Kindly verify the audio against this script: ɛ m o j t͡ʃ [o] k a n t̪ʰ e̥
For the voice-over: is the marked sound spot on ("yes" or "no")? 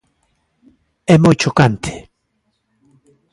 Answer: yes